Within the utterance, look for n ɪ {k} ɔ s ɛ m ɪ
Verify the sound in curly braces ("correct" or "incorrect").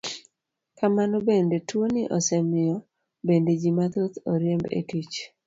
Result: incorrect